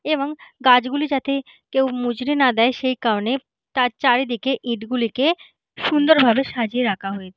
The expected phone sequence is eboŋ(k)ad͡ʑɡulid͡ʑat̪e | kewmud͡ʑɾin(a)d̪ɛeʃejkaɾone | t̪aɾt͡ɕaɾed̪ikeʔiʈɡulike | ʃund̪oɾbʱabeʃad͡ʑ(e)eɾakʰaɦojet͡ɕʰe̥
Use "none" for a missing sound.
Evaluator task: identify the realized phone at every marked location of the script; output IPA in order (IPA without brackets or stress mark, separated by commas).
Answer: ɡ, a, i